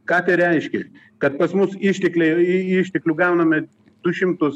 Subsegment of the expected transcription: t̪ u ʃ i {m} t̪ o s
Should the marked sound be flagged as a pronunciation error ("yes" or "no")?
no